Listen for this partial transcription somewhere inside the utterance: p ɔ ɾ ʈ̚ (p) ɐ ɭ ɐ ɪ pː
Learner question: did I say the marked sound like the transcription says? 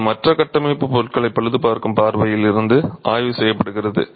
no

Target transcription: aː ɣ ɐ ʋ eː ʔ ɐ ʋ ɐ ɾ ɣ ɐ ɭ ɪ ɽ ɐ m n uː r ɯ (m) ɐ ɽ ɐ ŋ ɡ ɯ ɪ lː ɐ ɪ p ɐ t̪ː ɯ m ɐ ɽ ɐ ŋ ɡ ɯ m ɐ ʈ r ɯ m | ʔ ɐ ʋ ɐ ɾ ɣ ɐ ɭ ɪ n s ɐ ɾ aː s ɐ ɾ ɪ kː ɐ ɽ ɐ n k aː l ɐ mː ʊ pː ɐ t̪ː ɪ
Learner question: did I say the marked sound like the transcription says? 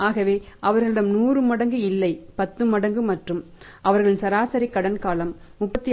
yes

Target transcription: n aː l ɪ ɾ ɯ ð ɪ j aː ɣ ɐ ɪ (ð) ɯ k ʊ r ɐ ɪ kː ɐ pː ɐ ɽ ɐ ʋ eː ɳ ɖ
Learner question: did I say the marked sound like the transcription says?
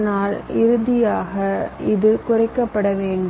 yes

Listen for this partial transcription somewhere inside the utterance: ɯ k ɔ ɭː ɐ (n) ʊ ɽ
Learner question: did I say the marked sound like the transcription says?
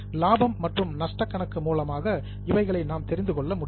no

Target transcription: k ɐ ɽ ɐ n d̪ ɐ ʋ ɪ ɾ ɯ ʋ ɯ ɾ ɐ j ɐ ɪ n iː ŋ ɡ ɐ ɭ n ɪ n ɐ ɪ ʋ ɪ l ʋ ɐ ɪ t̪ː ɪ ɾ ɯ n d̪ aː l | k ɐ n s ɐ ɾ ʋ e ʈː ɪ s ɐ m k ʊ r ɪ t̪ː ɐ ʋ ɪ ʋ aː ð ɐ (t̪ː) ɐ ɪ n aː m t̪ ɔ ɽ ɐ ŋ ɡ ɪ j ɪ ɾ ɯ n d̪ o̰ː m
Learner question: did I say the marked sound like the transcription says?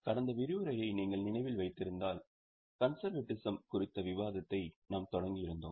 yes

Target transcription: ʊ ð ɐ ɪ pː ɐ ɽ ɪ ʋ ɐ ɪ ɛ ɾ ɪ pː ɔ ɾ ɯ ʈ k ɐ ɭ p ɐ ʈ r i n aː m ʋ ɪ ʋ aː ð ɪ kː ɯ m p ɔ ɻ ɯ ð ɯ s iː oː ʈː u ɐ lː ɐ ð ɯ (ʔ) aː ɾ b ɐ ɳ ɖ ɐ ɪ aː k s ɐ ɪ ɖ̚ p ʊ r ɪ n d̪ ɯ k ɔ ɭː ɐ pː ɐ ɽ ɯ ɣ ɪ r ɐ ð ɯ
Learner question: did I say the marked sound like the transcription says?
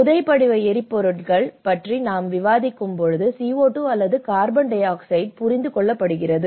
no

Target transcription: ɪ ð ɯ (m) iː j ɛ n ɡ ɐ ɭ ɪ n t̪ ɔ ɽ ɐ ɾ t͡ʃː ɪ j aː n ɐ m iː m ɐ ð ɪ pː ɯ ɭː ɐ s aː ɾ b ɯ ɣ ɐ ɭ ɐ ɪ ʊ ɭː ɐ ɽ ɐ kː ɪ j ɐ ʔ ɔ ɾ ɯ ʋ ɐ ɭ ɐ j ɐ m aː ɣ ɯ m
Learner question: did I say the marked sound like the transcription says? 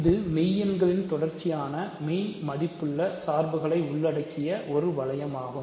yes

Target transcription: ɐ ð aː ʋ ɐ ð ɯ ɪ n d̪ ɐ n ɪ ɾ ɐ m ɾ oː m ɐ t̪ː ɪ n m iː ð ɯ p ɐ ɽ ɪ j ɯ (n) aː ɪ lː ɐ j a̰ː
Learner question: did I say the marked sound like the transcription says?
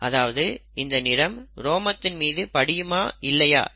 no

